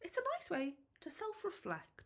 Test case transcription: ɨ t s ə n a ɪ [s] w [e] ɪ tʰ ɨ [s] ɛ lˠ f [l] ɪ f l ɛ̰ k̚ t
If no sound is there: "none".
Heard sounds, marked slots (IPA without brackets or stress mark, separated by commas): s, e, s, ɹ